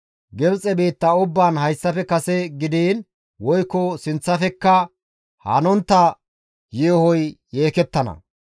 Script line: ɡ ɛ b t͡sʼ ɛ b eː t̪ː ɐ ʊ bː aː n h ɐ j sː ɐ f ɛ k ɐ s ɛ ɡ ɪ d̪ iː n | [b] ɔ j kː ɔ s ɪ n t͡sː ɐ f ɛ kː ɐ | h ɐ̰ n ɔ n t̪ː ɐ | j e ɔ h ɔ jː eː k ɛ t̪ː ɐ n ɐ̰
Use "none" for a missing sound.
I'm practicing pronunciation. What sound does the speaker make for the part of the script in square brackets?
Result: w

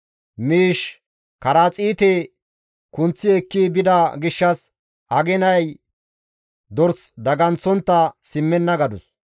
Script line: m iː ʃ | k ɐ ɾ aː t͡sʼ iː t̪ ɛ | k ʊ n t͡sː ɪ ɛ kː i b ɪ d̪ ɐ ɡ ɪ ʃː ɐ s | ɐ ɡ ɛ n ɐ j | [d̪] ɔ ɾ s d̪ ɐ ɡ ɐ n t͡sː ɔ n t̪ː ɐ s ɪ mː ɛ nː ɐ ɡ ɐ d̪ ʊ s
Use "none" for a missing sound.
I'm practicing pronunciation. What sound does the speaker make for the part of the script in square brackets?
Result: d̪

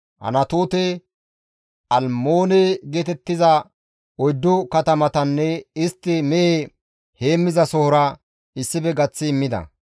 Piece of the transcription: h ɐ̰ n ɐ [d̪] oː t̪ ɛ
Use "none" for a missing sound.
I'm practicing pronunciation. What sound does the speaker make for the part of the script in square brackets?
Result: t̪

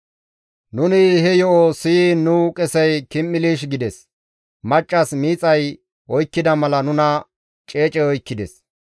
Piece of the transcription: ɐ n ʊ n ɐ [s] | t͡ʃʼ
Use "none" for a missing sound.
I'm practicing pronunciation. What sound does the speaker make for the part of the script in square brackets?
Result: none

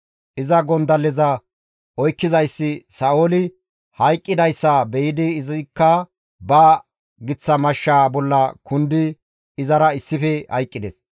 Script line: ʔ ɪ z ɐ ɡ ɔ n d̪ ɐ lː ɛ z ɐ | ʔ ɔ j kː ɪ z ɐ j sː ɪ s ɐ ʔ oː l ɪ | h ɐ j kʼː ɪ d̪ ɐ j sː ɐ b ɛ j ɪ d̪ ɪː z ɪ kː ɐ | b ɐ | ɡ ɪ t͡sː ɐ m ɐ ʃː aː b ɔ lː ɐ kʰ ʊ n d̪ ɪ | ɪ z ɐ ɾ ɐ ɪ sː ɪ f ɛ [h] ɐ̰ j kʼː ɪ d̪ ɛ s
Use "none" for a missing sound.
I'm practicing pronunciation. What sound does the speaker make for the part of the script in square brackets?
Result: h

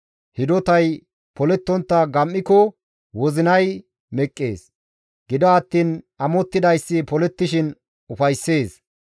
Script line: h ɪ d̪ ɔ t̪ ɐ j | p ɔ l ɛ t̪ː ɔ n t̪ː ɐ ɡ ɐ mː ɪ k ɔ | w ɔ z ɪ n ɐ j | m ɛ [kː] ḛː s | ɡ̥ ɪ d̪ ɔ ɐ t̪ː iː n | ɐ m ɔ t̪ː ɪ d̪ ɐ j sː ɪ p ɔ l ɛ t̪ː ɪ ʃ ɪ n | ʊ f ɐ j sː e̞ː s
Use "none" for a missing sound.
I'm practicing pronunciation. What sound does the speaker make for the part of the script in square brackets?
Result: kʼː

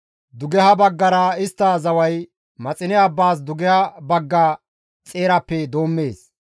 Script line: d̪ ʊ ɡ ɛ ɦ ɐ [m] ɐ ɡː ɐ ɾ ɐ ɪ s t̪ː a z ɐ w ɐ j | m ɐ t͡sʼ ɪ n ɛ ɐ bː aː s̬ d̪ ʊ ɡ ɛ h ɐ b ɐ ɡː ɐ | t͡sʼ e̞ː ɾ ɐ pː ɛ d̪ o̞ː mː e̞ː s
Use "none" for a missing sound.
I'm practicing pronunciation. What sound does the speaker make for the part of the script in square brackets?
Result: b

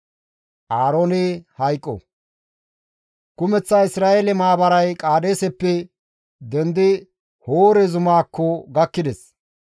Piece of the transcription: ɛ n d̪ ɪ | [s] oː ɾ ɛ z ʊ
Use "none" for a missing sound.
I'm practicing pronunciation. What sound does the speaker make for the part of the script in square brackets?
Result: h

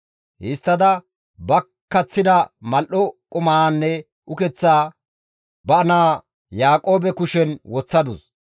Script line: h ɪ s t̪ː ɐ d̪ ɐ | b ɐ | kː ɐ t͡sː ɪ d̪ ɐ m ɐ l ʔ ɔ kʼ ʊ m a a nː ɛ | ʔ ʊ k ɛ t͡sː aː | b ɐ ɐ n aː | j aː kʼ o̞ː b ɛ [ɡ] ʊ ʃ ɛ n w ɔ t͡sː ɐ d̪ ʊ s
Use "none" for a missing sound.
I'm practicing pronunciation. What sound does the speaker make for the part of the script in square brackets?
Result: k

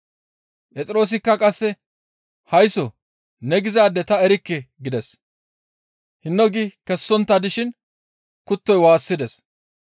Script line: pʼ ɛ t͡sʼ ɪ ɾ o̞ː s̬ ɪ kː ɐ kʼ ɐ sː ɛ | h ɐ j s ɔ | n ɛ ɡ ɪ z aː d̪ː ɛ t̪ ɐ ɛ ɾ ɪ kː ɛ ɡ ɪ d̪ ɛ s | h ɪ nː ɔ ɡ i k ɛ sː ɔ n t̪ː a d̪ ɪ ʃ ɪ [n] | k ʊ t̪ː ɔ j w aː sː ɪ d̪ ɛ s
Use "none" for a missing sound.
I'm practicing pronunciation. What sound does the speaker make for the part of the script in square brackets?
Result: n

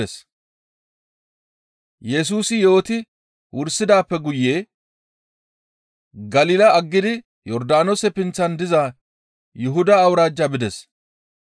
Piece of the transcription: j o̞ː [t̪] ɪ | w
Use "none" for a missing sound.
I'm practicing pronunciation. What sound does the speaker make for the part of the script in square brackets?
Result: t̪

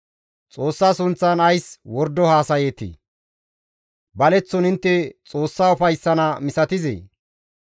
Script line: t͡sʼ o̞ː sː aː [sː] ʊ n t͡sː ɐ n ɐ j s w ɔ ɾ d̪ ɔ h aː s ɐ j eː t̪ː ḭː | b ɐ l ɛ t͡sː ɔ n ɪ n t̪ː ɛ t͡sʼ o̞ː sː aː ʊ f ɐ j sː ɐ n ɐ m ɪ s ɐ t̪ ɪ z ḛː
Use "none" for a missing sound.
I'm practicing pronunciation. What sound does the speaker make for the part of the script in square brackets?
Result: s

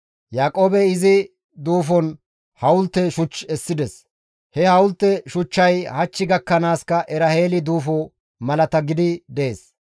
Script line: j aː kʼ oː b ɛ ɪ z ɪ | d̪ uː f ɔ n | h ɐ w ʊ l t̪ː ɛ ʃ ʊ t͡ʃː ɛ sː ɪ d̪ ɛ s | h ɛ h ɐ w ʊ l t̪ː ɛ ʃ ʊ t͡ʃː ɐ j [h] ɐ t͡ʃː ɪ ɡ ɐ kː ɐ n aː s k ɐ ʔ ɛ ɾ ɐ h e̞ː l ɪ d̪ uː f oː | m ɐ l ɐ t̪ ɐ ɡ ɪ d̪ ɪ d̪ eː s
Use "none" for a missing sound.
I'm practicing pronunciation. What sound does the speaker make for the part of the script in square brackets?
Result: h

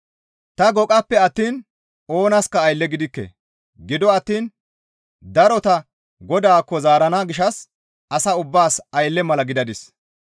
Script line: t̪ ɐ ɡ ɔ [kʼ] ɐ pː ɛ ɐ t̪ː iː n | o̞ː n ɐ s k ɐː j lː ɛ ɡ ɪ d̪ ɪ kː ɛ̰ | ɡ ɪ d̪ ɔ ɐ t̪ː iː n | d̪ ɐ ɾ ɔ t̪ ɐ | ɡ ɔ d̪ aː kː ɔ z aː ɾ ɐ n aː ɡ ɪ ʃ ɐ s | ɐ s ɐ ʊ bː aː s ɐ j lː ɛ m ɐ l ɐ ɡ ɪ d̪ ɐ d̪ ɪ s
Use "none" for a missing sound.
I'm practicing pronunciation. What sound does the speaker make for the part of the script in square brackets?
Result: kʼ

